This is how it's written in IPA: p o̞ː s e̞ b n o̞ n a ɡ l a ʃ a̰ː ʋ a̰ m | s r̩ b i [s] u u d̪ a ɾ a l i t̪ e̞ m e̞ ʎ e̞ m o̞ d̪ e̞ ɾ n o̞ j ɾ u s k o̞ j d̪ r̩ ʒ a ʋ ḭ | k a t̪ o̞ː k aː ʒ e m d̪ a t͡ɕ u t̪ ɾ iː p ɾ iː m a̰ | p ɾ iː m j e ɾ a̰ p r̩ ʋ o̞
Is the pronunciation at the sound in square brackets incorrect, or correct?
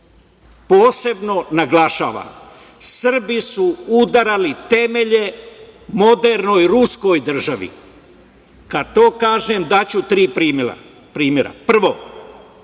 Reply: correct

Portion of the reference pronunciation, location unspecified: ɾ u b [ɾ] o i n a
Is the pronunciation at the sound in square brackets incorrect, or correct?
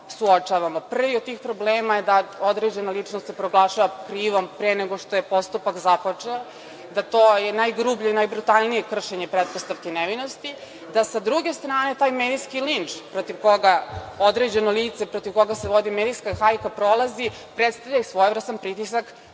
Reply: incorrect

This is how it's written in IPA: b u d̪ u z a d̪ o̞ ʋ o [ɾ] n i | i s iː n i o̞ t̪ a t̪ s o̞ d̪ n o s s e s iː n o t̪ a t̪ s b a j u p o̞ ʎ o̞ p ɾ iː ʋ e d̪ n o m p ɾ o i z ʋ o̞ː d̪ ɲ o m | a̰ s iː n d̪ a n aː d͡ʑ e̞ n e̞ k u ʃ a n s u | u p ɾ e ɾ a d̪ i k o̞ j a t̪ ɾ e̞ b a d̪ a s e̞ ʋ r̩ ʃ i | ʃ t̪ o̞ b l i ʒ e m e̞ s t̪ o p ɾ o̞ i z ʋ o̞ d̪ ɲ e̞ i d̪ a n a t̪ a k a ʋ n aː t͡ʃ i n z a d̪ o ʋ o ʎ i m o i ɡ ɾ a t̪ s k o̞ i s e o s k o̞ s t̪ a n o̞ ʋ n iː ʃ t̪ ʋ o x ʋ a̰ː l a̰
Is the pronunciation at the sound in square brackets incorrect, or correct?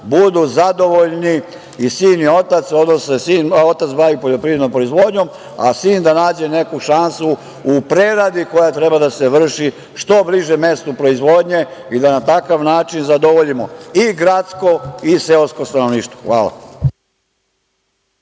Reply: incorrect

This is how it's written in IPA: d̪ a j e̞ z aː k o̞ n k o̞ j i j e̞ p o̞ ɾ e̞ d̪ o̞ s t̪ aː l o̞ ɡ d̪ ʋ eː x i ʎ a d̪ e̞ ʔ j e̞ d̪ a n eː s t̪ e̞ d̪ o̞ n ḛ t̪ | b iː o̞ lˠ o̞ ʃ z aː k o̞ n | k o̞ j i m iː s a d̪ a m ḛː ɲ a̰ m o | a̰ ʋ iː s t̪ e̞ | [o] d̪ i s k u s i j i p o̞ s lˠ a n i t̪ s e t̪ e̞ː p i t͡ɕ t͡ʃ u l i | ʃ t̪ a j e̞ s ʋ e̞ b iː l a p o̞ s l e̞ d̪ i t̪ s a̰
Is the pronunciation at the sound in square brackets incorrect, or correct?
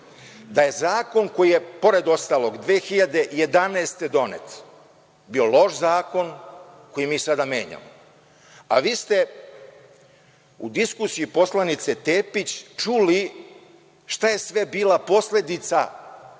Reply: incorrect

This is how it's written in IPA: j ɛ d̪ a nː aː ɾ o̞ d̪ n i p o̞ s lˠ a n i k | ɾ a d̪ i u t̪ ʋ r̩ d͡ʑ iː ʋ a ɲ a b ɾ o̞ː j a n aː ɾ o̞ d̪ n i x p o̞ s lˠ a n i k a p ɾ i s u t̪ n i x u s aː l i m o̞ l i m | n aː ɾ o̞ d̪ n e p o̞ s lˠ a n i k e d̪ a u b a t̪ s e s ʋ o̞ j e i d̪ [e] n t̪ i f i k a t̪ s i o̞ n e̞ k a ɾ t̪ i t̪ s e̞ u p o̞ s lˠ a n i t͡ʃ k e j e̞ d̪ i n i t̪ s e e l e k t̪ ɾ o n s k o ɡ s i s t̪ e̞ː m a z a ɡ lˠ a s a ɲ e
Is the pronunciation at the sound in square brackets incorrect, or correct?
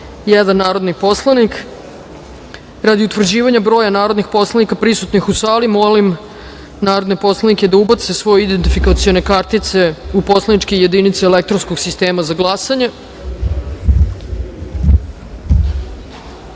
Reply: correct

